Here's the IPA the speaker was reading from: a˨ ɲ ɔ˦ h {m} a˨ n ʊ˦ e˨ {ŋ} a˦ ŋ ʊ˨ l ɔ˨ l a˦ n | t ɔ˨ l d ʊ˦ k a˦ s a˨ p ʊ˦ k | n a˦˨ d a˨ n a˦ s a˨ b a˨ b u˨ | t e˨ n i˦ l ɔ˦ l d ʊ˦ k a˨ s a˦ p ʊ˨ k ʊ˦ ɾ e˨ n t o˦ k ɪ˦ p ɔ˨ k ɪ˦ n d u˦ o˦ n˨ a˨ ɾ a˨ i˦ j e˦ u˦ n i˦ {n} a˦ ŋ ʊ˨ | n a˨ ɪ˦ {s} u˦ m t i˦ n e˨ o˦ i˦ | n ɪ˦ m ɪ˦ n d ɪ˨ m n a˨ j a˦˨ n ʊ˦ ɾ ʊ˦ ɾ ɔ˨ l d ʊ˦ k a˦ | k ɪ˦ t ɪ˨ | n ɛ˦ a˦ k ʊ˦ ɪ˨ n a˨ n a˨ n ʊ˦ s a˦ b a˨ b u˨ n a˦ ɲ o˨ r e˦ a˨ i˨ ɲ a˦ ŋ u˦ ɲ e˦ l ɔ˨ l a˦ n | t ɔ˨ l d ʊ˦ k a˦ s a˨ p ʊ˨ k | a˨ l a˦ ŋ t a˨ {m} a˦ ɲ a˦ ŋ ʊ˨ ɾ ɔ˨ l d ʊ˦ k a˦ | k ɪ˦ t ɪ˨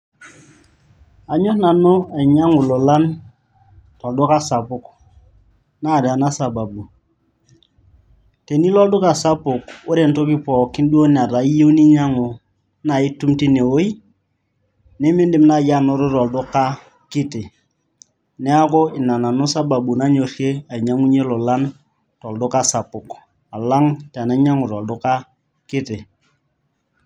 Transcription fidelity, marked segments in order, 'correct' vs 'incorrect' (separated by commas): incorrect, incorrect, incorrect, incorrect, incorrect